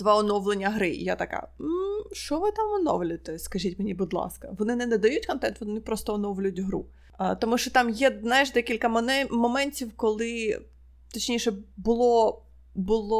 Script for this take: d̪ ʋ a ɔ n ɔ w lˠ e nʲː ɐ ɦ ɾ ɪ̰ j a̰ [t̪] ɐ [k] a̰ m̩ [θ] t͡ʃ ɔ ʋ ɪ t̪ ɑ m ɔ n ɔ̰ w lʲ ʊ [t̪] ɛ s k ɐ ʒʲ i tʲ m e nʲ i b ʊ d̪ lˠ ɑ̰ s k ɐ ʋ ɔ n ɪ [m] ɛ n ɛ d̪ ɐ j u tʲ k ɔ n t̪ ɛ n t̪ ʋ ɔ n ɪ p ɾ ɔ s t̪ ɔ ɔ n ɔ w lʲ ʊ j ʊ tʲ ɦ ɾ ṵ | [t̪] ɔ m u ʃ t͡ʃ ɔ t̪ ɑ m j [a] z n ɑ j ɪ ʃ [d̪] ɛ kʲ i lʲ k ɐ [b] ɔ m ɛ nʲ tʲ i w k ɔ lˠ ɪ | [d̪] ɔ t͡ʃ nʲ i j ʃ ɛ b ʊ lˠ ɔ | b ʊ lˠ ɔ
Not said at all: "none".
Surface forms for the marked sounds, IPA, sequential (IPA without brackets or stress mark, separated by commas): t̪, k, ʃ, t̪, n, t̪, ɛ, d̪, m, t̪